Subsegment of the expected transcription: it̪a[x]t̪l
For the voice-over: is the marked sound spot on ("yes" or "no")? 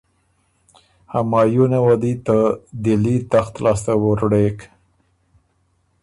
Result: yes